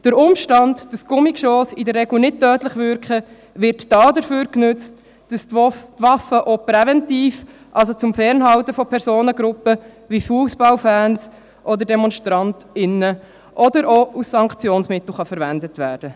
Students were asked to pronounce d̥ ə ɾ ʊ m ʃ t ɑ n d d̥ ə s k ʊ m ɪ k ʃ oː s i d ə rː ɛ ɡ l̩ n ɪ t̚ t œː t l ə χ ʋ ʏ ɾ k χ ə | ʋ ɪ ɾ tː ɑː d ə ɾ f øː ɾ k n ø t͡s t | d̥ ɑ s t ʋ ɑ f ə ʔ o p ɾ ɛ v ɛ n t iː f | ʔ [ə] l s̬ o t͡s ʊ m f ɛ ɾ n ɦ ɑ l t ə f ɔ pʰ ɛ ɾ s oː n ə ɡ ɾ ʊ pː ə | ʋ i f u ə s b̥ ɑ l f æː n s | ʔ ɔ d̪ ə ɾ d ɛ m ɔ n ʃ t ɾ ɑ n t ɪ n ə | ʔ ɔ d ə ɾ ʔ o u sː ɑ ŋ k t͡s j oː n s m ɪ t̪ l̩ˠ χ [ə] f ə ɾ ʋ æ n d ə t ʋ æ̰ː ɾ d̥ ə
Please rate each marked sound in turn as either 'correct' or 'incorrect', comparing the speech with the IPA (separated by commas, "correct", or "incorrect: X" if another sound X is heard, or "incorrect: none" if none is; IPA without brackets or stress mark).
incorrect: ɑ, incorrect: ɑ